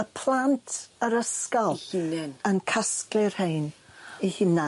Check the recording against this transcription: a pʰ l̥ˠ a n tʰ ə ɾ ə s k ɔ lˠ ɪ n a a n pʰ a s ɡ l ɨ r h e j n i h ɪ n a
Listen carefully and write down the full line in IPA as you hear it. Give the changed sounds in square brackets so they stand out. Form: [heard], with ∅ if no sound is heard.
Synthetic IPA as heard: [ə] pʰ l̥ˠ a n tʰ ə ɾ ə s k ɔ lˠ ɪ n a [ə] n [kʰ] a s [k] l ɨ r h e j n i h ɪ n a